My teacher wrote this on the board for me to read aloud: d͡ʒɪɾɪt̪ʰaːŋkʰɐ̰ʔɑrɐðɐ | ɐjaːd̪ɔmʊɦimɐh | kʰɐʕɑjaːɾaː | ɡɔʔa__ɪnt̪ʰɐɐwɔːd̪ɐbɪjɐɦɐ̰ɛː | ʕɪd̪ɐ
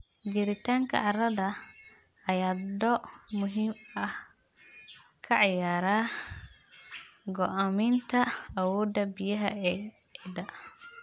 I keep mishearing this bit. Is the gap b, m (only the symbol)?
m